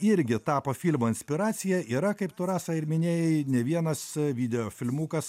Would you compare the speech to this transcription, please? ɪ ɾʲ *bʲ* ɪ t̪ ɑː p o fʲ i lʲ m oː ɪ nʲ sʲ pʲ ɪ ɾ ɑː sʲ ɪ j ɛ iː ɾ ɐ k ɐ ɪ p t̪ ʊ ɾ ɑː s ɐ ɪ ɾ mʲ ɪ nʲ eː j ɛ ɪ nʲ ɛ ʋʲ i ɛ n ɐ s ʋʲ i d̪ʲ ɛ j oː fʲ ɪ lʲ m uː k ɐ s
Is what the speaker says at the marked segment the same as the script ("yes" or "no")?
no